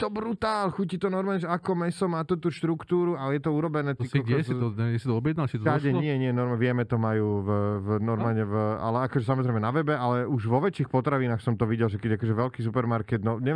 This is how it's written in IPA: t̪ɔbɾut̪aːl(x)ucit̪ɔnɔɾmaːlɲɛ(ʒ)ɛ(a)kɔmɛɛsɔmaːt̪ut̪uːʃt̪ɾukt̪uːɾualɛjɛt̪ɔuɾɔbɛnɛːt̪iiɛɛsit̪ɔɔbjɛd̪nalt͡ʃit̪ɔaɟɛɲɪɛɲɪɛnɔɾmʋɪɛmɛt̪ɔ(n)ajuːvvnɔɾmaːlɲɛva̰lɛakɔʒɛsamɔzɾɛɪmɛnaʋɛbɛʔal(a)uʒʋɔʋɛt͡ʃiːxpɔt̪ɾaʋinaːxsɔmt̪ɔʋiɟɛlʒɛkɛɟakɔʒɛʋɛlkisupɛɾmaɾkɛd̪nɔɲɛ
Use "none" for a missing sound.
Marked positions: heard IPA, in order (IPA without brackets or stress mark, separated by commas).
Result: x, ʒ, a, m, ɛ